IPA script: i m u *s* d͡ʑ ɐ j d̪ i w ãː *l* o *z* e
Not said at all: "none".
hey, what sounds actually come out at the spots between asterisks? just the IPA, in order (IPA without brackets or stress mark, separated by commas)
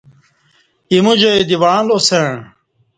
none, l, s